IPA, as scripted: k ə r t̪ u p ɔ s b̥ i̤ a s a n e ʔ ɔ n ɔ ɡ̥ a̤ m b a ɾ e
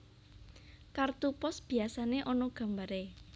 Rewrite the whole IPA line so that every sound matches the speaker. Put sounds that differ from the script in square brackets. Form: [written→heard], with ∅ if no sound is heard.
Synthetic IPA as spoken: k [ə→a] r t̪ u p ɔ s b̥ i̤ a s a n e ʔ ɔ n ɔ ɡ̥ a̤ m b a ɾ e